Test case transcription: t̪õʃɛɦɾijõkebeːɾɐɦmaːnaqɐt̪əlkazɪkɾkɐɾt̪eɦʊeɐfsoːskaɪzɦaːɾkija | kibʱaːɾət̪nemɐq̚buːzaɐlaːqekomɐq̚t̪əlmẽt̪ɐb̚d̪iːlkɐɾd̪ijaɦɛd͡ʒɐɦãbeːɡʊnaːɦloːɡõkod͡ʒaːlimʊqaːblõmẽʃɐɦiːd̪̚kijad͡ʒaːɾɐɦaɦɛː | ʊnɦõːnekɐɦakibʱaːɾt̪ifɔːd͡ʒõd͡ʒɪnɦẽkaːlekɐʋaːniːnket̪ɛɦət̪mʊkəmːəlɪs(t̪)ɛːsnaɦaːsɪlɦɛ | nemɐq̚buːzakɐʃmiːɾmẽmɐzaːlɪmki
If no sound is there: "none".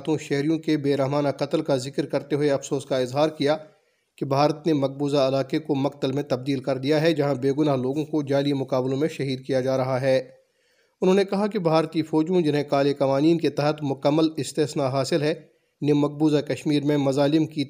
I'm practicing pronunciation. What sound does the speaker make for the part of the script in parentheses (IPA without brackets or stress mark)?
t̪